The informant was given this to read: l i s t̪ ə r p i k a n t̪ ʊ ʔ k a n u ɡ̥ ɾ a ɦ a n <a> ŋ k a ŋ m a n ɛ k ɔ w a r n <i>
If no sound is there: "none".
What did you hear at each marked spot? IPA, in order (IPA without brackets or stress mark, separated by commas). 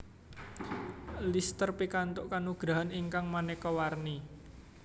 i, i